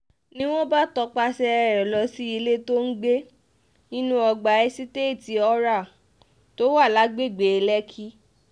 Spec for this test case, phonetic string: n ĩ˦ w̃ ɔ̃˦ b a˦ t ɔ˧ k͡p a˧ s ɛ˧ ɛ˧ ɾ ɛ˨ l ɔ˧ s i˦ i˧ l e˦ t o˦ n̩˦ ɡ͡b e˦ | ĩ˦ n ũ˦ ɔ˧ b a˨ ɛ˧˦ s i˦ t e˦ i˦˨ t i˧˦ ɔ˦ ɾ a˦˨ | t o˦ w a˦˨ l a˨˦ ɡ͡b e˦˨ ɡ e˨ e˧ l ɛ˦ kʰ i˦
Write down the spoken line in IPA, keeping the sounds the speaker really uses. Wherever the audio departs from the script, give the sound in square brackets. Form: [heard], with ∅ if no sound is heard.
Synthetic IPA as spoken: n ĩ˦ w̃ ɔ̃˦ b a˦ t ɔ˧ k͡p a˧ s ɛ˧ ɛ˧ ɾ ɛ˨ l ɔ˧ s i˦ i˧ l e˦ t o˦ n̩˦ ɡ͡b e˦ | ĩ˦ n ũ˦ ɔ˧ [ɡ͡b] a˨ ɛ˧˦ s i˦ t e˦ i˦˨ t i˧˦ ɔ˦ ɾ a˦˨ | t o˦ w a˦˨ l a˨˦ ɡ͡b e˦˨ [ɡ͡b] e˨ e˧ l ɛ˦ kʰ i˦